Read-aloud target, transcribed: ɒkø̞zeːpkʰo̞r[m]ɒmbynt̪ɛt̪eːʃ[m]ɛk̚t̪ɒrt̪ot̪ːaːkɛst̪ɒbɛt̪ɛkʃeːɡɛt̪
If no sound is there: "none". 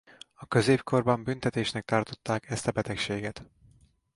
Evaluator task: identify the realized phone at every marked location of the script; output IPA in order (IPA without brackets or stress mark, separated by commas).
b, n